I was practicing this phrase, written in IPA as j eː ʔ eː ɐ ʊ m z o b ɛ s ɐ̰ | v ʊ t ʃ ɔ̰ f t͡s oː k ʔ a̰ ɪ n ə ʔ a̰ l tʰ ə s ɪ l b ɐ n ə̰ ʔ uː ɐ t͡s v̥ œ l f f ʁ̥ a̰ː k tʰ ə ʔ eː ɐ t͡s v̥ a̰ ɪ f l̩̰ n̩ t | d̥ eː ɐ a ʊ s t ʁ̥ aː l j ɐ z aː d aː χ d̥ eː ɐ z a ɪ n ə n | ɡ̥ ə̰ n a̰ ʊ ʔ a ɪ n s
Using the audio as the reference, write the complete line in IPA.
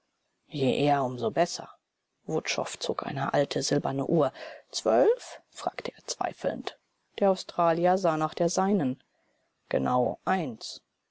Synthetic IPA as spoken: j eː ʔ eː ɐ ʊ m z o b ɛ s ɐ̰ | v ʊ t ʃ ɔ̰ f t͡s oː k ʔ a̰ ɪ n ə ʔ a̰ l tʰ ə z ɪ l b ɐ n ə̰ ʔ uː ɐ t͡s v̥ œ l f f ʁ̥ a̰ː k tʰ ə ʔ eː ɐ t͡s v̥ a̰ ɪ f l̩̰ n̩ t | d̥ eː ɐ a ʊ s t ʁ̥ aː l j ɐ z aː n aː χ d̥ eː ɐ z a ɪ n ə n | ɡ̥ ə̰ n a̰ ʊ ʔ a ɪ n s